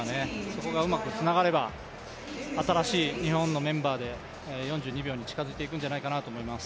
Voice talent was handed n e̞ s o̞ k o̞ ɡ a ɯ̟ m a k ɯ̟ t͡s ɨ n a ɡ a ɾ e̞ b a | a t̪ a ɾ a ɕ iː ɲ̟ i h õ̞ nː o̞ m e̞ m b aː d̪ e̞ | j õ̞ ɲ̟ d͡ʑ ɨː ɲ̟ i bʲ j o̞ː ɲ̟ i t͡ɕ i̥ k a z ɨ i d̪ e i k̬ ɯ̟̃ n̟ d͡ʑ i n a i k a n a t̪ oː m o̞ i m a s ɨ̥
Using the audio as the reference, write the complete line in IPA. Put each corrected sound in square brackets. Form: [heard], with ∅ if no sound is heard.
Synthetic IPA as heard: n e̞ s o̞ k o̞ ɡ a ɯ̟ m a k ɯ̟ t͡s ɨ n a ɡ a ɾ e̞ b a | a t̪ a ɾ a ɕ iː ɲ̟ i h õ̞ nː o̞ m [ẽ̞] m b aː d̪ e̞ | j õ̞ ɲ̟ d͡ʑ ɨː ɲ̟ i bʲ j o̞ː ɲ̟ i t͡ɕ i̥ k a z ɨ i [t̪] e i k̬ ɯ̟̃ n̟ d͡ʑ [a] n a i k a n a t̪ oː m o̞ i m a s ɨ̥